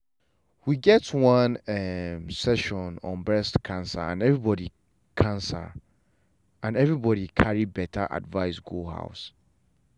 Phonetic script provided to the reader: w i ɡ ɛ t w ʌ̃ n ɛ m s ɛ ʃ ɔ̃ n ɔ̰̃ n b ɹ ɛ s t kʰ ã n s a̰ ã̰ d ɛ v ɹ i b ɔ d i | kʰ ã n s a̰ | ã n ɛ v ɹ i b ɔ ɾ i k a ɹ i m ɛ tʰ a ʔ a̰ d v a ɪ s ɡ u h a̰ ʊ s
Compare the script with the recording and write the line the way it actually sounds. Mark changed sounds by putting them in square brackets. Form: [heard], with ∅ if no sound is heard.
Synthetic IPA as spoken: w i ɡ ɛ t w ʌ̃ n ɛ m s ɛ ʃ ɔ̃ n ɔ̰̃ n b ɹ ɛ s t kʰ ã n s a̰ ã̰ [n] ɛ v ɹ i b ɔ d i | kʰ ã n s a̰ | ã n ɛ v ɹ i b ɔ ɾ i [kʰ] a ɹ i [b] ɛ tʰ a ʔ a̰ d v a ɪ s ɡ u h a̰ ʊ s